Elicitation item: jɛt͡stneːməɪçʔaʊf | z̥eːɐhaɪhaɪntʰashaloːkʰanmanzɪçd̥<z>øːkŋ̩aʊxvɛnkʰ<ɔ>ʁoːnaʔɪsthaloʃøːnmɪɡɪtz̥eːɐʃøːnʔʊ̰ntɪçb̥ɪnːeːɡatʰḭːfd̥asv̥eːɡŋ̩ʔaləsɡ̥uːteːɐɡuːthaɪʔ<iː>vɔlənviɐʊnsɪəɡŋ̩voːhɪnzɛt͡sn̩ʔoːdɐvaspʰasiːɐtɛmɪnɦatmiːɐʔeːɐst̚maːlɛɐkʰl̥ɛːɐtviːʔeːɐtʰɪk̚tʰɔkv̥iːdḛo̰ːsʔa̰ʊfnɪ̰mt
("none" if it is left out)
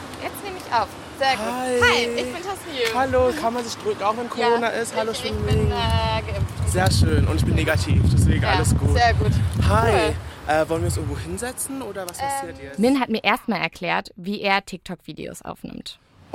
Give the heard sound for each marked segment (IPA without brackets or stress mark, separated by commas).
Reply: ʁ, o, ɛː